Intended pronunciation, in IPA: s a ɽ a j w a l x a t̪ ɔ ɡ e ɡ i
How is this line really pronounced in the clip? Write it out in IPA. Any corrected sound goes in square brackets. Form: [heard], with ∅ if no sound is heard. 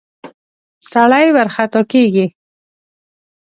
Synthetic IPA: s a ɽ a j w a [ɾ] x a t̪ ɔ [k] e ɡ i